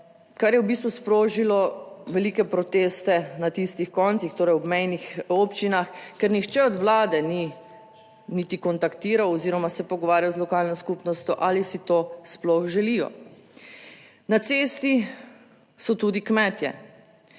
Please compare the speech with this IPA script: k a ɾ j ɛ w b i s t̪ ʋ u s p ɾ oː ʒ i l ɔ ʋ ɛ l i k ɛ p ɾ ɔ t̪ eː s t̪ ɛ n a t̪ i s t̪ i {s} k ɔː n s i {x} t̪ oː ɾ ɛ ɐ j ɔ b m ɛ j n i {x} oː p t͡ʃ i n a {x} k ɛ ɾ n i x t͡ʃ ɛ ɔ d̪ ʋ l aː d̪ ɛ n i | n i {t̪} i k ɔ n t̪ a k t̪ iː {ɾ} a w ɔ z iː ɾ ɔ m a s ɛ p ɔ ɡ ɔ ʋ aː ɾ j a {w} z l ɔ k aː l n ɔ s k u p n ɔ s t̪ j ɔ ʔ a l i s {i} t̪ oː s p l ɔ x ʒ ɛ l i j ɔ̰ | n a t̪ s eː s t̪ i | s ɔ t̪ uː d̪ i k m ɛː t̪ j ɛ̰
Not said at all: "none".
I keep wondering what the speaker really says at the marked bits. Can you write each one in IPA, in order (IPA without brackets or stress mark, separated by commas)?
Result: x, x, x, x, t̪, ɾ, w, i